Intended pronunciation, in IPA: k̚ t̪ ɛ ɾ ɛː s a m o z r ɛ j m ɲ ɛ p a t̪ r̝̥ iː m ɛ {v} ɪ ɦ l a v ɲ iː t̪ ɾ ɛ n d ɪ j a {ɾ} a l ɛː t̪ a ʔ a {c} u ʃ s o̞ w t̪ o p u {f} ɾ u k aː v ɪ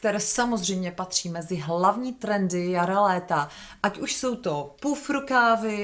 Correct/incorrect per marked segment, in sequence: incorrect: z, correct, correct, correct

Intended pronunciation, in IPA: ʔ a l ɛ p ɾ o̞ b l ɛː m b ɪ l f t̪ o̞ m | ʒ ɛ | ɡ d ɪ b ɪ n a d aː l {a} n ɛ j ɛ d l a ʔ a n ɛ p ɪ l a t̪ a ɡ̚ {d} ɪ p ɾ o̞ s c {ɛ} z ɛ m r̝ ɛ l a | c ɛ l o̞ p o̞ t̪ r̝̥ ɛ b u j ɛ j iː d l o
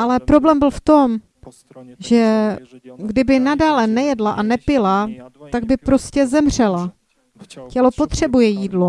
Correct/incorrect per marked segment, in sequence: incorrect: ɛ, incorrect: b, correct

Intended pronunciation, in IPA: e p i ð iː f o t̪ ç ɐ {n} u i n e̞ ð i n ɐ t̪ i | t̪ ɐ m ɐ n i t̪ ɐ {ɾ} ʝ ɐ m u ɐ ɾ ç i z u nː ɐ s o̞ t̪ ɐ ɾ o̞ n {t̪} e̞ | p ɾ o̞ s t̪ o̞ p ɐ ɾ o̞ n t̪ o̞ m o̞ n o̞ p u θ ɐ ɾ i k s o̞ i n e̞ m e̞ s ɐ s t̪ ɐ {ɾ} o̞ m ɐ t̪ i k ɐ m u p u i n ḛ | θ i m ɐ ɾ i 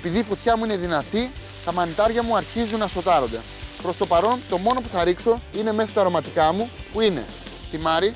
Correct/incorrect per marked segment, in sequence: incorrect: m, correct, incorrect: d̪, correct

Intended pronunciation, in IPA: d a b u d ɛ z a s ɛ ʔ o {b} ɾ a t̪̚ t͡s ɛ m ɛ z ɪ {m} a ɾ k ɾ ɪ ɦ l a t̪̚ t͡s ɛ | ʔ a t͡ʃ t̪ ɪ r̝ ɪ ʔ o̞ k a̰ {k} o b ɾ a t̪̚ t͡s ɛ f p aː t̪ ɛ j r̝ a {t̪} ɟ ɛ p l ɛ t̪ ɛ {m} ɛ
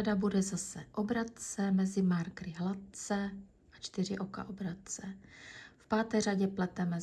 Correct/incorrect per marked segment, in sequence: correct, correct, incorrect: ʔ, incorrect: none, correct

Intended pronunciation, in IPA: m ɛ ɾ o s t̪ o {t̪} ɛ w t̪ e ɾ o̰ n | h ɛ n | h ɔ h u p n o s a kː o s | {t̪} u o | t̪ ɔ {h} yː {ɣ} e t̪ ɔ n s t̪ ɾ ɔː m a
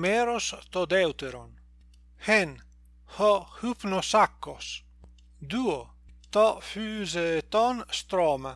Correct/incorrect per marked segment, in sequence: incorrect: d̪, incorrect: d̪, incorrect: f, incorrect: z

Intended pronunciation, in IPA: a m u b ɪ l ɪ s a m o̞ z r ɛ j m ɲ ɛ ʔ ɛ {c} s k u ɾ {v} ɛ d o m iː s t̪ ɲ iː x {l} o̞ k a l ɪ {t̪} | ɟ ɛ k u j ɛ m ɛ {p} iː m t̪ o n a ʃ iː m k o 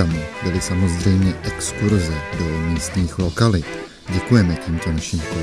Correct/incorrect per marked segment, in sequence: incorrect: k, incorrect: z, correct, correct, incorrect: c

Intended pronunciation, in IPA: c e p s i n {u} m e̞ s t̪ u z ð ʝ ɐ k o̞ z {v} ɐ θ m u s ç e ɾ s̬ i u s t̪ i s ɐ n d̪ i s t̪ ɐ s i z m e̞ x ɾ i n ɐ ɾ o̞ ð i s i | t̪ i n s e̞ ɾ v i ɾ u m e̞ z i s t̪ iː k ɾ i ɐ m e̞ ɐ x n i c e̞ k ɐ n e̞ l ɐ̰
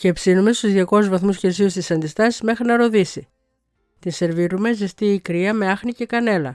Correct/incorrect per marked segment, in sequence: correct, correct

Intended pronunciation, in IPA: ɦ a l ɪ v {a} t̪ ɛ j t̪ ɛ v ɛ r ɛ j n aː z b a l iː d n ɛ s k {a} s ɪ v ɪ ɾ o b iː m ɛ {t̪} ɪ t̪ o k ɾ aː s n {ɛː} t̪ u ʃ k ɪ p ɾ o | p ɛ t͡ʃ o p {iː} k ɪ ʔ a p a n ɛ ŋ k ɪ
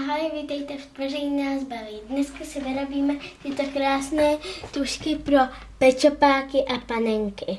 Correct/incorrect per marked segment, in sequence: incorrect: i, correct, correct, correct, incorrect: aː

